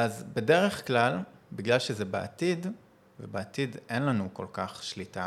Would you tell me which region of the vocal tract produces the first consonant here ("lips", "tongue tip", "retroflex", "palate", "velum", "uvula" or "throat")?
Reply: tongue tip